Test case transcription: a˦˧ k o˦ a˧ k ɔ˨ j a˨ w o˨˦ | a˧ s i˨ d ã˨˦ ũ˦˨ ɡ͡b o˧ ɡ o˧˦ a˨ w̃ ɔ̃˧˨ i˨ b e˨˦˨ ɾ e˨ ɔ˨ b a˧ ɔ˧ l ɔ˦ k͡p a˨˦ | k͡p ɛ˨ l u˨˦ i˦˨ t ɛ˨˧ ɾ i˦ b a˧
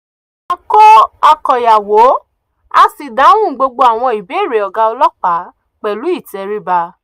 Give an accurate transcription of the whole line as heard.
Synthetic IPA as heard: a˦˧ k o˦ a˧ k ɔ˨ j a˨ w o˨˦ | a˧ s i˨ d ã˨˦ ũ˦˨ ɡ͡b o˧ ɡ͡b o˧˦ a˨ w̃ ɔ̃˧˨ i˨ b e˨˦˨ ɾ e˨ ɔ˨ ɡ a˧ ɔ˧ l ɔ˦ k͡p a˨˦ | k͡p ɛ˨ l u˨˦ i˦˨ t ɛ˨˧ ɾ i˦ b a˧